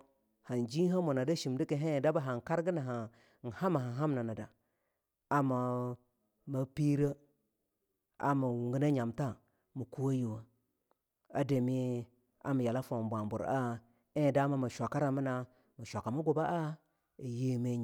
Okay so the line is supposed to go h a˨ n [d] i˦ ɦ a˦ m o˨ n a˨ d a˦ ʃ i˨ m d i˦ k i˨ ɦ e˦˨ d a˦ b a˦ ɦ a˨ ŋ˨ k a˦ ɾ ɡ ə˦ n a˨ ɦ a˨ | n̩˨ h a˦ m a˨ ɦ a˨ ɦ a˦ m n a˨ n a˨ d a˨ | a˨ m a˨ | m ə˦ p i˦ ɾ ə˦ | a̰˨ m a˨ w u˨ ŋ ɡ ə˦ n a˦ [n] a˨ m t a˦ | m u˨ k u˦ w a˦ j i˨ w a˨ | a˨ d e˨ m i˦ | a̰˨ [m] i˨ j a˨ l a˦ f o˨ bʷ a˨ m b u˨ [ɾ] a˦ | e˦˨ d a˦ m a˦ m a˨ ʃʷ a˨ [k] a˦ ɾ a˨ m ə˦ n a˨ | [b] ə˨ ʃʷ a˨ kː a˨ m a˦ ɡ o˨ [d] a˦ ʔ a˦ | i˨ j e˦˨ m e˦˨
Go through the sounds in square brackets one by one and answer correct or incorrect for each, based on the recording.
incorrect, incorrect, correct, correct, correct, incorrect, incorrect

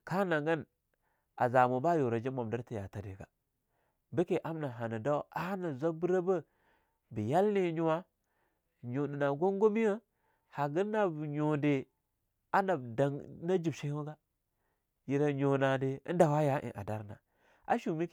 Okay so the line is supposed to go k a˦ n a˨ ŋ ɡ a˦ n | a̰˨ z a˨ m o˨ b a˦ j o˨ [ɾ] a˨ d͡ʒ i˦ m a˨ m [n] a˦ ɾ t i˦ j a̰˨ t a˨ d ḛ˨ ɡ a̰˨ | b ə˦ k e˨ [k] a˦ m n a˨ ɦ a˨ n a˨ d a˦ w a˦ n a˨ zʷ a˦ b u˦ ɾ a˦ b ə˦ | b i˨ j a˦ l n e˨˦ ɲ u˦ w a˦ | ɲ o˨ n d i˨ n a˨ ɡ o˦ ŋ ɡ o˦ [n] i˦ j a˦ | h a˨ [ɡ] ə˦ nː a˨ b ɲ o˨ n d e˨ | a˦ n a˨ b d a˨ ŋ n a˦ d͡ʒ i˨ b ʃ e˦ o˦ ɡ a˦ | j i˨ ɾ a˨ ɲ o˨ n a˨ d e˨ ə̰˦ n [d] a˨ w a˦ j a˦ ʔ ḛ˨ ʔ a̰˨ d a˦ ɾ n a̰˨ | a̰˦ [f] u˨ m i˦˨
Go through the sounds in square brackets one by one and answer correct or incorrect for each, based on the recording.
correct, incorrect, incorrect, incorrect, correct, correct, incorrect

